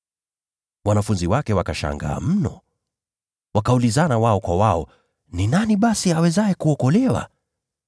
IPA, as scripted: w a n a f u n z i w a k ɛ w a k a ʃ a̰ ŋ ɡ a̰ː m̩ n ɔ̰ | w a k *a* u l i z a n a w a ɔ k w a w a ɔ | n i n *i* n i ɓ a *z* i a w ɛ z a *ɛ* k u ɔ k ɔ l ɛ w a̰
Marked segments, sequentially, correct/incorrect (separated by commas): correct, incorrect, incorrect, correct